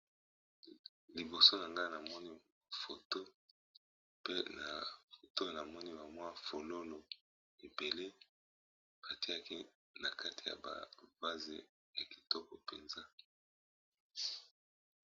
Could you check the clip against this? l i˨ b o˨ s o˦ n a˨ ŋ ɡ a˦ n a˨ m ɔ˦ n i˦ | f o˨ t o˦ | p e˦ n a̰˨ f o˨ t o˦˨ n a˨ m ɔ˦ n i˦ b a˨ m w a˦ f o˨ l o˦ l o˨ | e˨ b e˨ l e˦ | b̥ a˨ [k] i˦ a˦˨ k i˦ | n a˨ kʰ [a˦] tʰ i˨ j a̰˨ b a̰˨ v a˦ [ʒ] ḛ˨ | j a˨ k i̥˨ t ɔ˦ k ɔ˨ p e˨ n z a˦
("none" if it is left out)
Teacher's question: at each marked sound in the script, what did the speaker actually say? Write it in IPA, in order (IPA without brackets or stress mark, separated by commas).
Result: t, a˦, z